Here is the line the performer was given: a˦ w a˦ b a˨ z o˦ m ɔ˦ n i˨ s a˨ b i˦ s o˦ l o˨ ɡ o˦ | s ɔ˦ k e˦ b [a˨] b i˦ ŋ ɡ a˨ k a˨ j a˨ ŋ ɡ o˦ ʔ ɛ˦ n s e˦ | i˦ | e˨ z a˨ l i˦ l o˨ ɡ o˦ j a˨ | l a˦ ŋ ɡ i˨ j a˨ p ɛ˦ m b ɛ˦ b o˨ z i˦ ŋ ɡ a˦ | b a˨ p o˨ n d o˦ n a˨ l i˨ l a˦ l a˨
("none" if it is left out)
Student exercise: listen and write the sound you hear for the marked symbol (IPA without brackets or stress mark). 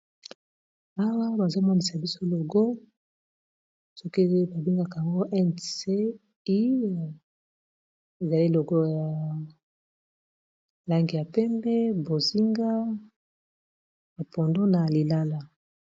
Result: a˨